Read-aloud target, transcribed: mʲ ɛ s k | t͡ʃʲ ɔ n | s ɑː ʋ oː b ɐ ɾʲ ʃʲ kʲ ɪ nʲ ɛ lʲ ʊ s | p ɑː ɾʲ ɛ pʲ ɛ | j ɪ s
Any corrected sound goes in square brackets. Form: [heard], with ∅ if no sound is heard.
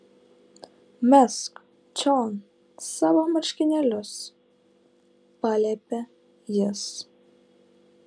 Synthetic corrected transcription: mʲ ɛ s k | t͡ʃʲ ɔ n | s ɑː ʋ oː [m] ɐ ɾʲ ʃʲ kʲ ɪ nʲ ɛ lʲ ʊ s | p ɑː [lʲ] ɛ pʲ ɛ | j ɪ s

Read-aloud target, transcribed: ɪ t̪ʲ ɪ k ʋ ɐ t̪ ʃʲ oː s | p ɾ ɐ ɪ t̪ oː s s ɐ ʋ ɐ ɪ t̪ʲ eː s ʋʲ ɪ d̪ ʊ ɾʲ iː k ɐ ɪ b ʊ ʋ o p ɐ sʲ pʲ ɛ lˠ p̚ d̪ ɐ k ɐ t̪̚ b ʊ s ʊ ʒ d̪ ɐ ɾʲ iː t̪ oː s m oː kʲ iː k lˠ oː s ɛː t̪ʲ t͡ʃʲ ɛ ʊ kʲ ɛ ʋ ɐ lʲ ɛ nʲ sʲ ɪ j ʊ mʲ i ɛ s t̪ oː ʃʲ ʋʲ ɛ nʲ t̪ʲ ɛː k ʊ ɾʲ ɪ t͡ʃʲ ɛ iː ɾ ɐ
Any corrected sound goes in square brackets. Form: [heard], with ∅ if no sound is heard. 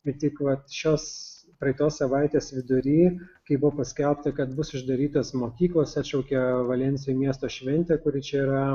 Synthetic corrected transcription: ɪ t̪ʲ ɪ k ʋ ɐ t̪ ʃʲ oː s | p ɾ ɐ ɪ t̪ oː s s ɐ ʋ ɐ ɪ t̪ʲ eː s ʋʲ ɪ d̪ ʊ ɾʲ iː k ɐ ɪ b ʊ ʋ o p ɐ sʲ [kʲ] ɛ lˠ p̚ [t̪] ɐ k ɐ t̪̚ b ʊ s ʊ ʒ d̪ ɐ ɾʲ iː t̪ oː s m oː kʲ iː k lˠ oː s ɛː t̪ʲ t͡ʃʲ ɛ ʊ kʲ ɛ ʋ ɐ lʲ ɛ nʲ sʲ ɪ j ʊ mʲ i ɛ s t̪ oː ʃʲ ʋʲ ɛ nʲ t̪ʲ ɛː k ʊ ɾʲ ɪ t͡ʃʲ ɛ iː ɾ ɐ

